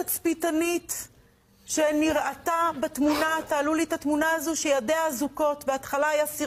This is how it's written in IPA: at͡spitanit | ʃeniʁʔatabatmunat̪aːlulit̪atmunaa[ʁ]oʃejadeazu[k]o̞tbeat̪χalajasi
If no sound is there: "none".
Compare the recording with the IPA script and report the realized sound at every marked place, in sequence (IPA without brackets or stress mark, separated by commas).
z, k